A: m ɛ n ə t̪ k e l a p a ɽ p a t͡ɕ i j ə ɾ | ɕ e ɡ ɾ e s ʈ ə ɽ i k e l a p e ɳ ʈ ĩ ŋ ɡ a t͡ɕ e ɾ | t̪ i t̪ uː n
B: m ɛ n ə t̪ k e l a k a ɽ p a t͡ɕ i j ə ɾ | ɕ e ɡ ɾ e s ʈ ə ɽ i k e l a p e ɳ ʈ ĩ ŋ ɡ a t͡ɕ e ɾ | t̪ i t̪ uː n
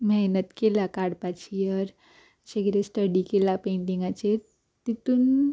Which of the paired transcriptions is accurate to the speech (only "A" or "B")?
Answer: B